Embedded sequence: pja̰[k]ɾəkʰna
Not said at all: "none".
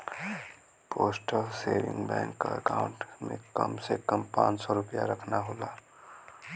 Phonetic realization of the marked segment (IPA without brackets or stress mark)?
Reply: none